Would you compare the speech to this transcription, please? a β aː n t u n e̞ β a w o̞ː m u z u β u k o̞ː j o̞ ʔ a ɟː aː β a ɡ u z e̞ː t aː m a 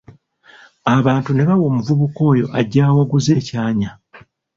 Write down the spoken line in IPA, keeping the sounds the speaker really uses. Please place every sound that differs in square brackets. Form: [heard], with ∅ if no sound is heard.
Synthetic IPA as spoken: a β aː n t u n e̞ β a w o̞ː m u [v] u β u k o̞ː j o̞ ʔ a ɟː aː [w] a ɡ u z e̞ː [c] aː [ɲ] a

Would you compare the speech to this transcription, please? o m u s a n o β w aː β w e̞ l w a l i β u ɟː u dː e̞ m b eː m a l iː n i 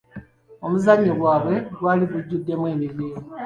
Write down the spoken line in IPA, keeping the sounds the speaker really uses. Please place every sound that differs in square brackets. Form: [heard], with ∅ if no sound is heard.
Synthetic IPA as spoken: o m u [z] a [ɲ] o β w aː β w e̞ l w a l i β u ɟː u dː e̞ m [w] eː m [i] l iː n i

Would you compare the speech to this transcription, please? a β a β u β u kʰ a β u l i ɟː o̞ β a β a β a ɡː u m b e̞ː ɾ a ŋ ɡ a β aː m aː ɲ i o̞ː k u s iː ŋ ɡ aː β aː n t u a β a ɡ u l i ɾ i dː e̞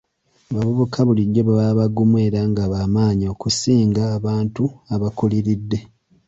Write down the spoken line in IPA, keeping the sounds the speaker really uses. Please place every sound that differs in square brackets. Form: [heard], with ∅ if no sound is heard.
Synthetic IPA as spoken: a β a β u β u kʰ a β u l i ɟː o̞ β a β a β a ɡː u m [w] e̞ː ɾ a ŋ ɡ a β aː m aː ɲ i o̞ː k u s iː ŋ ɡ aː β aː n t u a β a [k] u l i ɾ i dː e̞

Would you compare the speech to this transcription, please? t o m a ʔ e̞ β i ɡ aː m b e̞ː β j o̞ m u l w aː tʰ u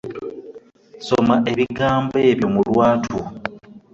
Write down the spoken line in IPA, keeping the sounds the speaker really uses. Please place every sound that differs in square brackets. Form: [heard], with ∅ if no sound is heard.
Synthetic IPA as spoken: [s] o m a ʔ e̞ β i ɡ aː m b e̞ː β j o̞ m u l w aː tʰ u

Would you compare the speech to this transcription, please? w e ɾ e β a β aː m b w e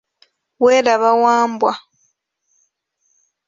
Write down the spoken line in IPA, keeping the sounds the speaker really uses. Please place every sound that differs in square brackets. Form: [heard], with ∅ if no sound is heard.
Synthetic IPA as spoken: w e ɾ [a] β a [w] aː m b w [a]

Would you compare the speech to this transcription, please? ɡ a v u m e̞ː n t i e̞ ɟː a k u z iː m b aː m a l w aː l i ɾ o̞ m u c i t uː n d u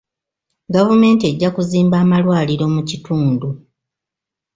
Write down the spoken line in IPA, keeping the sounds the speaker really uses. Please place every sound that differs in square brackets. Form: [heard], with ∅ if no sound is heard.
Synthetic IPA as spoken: ɡ a v u m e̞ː n t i e̞ ɟː a k u z iː m b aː m a l w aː l i ɾ o̞ m u c i t uː n d u

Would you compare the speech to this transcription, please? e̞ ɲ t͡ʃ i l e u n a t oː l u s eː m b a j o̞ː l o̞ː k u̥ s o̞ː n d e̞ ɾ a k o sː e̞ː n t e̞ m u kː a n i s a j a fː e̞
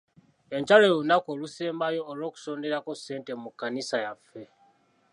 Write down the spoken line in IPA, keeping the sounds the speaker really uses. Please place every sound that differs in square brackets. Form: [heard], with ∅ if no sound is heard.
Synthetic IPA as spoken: e̞ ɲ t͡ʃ [a] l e u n a [k] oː l u s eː m b a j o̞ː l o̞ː k u̥ s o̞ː n d e̞ ɾ a k o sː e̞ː n t e̞ m u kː a n i s a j a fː e̞

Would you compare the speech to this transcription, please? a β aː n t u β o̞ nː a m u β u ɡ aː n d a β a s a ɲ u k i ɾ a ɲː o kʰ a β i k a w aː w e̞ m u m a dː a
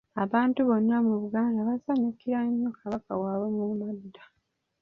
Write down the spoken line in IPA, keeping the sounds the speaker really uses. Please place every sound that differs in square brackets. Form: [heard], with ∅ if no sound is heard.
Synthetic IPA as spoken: a β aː n t u β o̞ nː a m u β u ɡ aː n d a β a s a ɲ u k i ɾ a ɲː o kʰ a β [a] k a w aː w e̞ m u m a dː a

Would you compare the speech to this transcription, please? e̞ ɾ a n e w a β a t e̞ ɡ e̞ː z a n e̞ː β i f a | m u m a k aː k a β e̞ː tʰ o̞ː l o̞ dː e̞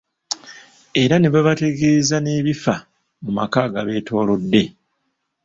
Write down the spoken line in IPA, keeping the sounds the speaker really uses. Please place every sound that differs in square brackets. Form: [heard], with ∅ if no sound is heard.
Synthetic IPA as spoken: e̞ ɾ a n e [β] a β a t e̞ ɡ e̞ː z a n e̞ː β i f a | m u m a k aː [ɡ] a β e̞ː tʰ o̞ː l o̞ dː e̞

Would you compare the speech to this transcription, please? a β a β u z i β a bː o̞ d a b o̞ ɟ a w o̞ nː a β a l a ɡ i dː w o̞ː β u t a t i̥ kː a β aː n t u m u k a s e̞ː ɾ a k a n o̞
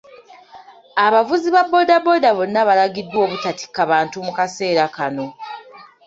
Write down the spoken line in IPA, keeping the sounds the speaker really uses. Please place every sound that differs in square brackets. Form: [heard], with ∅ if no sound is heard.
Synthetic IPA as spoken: a β a [v] u z i β a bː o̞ d a b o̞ [d] a [β] o̞ nː a β a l a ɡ i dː w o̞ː β u t a t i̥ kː a β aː n t u m u k a s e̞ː ɾ a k a n o̞

